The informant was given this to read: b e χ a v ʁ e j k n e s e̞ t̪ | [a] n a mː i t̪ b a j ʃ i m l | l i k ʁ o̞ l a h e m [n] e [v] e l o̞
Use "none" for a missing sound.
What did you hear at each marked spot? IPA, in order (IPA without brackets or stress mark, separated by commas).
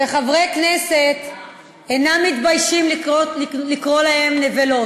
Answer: e, n, v